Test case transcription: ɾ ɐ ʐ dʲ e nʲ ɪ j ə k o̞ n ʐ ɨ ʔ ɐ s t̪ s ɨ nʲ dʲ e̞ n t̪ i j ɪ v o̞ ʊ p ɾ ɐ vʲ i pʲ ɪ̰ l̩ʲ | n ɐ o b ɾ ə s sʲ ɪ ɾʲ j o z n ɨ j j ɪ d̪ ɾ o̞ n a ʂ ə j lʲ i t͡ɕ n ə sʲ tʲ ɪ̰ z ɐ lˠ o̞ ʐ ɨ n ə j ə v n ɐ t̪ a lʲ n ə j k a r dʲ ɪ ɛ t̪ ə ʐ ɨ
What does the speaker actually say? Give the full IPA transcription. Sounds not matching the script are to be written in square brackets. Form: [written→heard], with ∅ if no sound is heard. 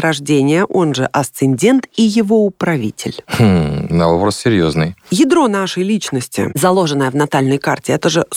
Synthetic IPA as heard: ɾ ɐ ʐ dʲ e nʲ ɪ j ə [k→ʔ] o̞ n ʐ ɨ ʔ ɐ s t̪ s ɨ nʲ dʲ e̞ n t̪ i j ɪ v o̞ ʊ p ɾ ɐ vʲ i [pʲ→tʲ] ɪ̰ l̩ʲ | n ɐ o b ɾ ə s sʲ ɪ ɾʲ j o z n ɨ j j ɪ d̪ ɾ o̞ n a ʂ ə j lʲ i t͡ɕ n ə sʲ tʲ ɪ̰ z ɐ lˠ o̞ ʐ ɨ n ə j ə v n ɐ t̪ a lʲ n ə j k a r [dʲ→tʲ] ɪ ɛ t̪ ə ʐ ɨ